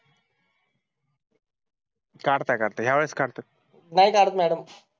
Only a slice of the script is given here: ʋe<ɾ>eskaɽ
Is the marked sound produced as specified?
no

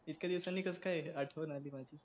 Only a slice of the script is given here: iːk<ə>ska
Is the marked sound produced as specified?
yes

